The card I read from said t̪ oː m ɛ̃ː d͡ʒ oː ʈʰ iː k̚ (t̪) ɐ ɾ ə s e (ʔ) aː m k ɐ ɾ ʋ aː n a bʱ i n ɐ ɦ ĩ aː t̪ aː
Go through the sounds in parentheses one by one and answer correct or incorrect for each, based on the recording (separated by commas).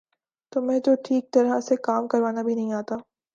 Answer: correct, incorrect